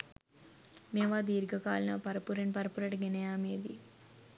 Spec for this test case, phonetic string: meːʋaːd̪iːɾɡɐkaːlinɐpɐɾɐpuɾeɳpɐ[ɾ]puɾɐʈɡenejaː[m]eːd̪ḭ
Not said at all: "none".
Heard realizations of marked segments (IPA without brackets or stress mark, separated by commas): ɾ, m